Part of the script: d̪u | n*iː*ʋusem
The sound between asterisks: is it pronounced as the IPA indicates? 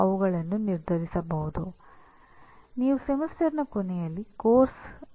yes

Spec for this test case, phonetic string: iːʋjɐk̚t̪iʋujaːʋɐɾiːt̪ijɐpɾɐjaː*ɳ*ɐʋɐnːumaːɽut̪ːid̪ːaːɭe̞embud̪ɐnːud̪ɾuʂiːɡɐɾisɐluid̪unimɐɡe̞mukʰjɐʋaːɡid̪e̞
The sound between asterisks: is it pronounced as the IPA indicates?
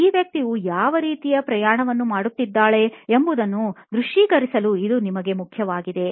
yes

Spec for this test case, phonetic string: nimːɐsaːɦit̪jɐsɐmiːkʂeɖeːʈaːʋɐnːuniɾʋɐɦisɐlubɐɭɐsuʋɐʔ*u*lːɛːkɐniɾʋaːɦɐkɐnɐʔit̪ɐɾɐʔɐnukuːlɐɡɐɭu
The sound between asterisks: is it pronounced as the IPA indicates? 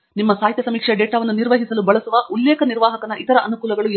yes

